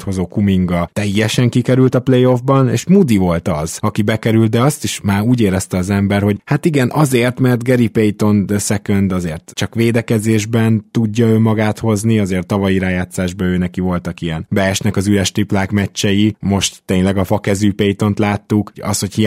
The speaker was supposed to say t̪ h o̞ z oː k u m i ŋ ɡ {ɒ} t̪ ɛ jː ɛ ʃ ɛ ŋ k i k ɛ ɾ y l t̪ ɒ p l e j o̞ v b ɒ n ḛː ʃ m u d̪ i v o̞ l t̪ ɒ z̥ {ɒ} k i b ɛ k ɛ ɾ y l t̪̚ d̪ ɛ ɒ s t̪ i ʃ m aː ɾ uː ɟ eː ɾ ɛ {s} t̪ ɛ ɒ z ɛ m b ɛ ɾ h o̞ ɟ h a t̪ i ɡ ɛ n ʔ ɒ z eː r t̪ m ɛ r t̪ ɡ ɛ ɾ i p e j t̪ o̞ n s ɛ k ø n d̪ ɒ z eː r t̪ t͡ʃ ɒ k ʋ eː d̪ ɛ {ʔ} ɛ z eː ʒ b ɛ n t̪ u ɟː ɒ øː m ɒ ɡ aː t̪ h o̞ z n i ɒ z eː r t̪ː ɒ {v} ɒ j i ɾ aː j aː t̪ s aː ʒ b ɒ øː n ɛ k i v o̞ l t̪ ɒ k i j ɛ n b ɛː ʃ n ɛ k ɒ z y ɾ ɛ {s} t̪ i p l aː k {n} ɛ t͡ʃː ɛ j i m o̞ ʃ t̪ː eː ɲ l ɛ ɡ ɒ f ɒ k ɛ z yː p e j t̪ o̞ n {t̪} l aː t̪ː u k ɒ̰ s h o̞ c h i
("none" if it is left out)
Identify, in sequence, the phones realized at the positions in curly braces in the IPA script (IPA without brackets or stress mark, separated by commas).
ɒ, ɒ, s, k, v, ʃ, m, t̪